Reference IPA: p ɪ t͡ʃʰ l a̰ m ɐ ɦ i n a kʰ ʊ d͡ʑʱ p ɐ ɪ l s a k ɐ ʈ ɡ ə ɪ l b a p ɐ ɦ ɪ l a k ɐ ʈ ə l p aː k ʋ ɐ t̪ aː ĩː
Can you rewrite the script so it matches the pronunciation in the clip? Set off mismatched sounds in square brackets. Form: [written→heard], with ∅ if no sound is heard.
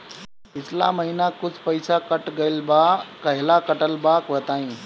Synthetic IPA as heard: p ɪ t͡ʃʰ l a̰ m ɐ ɦ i n a [kʰ→k] ʊ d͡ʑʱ p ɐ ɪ [l→∅] s a k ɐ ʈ ɡ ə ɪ l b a [p→k] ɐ ɦ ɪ l a k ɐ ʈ ə l [p→b] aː k ʋ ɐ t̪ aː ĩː